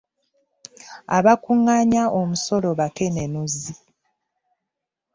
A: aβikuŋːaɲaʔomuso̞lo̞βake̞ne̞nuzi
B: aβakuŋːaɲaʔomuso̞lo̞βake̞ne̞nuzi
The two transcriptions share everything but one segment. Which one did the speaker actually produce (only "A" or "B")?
B